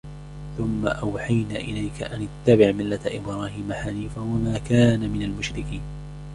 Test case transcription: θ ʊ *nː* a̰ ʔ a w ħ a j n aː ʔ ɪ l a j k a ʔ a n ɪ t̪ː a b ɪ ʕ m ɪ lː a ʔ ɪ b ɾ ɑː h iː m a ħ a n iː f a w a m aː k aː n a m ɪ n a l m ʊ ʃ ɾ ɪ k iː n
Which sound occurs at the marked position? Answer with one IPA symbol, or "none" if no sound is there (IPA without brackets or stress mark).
mː